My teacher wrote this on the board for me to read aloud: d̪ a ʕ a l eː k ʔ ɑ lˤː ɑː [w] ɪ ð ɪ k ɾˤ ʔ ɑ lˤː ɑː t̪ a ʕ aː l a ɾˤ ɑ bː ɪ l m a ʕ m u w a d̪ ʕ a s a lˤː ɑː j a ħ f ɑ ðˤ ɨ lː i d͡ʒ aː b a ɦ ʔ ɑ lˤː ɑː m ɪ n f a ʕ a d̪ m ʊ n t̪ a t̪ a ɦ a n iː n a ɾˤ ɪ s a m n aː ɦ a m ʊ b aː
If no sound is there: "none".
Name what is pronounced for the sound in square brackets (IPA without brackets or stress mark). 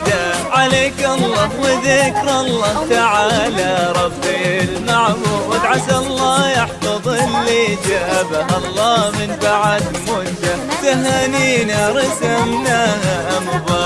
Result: w